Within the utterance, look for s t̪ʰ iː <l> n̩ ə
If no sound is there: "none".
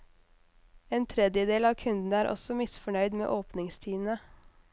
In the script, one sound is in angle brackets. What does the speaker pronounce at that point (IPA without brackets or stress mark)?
none